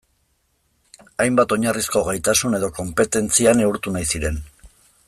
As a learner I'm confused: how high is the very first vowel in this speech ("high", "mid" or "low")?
low